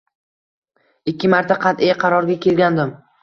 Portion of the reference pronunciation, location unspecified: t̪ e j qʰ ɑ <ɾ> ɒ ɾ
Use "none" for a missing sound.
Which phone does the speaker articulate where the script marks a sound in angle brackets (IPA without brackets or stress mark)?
ɾ